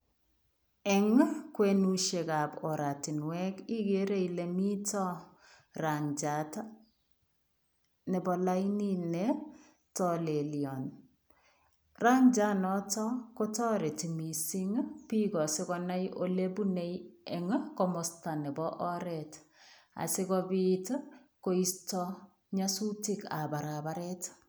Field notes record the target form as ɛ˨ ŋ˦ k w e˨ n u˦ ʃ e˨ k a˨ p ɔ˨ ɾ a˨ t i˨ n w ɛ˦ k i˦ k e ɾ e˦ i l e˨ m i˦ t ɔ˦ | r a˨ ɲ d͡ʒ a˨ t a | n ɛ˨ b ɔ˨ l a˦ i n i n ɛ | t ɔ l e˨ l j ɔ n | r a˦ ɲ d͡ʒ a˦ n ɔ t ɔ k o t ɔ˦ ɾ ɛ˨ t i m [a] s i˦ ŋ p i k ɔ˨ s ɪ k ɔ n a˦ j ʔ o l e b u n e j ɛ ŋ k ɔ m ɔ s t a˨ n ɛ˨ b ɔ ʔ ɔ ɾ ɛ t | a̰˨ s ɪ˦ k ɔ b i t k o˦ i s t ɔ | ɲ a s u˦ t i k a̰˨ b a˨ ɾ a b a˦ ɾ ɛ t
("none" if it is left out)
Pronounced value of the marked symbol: i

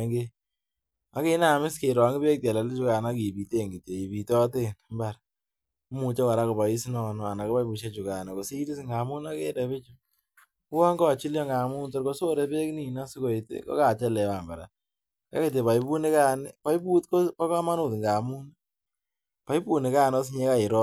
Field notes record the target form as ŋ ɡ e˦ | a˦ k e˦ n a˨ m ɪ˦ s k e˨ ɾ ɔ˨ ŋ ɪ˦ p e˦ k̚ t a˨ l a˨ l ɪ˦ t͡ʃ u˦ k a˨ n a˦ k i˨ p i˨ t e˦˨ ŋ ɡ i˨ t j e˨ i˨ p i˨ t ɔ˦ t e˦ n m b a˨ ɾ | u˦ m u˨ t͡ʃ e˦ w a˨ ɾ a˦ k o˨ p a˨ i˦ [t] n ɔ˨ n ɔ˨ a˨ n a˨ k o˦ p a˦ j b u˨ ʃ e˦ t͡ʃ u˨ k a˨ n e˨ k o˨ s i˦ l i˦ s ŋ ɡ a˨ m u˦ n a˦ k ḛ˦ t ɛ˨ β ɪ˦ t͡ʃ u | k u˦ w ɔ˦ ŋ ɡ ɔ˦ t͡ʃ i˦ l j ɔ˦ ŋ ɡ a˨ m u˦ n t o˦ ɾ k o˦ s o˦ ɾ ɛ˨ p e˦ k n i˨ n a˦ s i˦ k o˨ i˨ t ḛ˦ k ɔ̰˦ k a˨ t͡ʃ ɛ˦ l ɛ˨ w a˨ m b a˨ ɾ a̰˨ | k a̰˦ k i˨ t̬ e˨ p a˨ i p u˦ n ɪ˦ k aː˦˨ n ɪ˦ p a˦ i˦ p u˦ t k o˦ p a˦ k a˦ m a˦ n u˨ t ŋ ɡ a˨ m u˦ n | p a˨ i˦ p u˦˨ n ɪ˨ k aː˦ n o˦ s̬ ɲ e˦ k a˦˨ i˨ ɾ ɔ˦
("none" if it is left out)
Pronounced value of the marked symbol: s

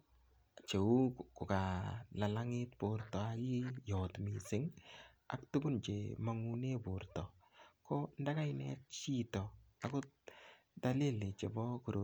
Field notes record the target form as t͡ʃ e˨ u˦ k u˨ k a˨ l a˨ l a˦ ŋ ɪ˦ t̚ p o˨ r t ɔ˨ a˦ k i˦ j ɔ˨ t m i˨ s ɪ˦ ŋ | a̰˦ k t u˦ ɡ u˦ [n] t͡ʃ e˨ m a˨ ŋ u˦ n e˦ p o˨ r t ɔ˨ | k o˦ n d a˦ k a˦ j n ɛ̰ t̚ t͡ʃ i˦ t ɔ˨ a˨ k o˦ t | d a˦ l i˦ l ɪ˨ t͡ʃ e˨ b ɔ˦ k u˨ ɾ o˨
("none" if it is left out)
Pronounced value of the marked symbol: n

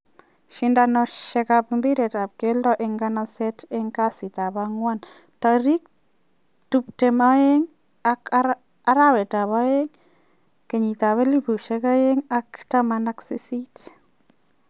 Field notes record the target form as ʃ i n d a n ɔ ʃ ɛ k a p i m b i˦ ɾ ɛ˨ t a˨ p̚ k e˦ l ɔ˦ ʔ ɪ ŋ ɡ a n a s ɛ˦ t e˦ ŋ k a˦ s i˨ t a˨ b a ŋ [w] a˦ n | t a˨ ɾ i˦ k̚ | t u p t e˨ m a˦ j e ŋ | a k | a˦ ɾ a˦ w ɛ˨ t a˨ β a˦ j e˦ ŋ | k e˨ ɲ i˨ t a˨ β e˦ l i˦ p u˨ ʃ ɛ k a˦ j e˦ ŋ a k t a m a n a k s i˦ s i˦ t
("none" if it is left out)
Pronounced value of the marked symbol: w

